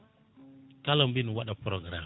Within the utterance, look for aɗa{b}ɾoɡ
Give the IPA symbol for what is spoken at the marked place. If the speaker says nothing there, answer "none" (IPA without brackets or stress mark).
p